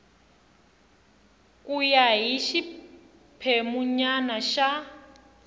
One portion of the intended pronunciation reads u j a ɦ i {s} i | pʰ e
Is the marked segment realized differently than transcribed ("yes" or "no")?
yes